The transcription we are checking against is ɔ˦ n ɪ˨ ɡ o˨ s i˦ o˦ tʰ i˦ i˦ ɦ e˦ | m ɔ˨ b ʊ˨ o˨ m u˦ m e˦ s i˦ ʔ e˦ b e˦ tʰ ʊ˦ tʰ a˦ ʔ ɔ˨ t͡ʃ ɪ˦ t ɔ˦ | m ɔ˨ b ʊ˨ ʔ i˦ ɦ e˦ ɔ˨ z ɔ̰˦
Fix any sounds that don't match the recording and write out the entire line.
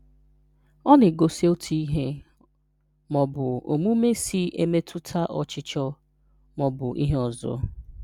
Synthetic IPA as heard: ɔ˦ n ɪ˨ ɡ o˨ s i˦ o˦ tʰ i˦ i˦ ɦ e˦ | m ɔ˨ b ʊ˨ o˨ m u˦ m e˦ s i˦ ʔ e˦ m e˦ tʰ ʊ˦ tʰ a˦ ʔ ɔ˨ t͡ʃ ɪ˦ t͡ʃ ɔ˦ | m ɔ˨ b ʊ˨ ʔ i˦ ɦ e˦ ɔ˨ z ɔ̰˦